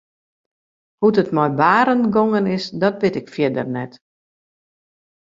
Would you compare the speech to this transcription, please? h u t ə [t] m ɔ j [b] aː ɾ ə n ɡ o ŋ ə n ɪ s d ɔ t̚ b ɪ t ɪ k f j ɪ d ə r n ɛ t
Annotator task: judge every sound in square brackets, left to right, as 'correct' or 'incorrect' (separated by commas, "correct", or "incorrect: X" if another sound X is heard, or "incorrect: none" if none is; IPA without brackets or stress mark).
correct, correct